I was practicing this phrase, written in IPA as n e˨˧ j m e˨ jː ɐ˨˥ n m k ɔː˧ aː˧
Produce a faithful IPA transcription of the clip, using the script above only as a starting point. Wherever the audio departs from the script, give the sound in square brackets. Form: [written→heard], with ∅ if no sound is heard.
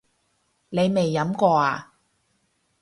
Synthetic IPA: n e˨˧ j m e˨ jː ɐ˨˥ [n→∅] m k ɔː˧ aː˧